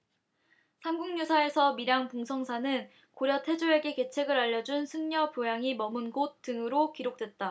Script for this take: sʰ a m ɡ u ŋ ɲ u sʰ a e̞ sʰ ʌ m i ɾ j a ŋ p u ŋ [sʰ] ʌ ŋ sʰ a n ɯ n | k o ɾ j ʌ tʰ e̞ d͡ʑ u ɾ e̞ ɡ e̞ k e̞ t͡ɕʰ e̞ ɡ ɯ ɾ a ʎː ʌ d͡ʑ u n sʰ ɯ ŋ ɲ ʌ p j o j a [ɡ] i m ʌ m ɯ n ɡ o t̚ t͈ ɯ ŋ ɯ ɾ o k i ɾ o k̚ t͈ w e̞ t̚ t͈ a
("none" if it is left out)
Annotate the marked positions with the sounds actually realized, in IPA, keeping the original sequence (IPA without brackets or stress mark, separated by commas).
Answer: sʰ, ŋ